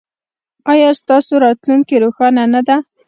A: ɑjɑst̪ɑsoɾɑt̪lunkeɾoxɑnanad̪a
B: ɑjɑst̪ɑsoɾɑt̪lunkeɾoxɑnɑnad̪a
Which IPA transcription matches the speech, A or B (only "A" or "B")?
A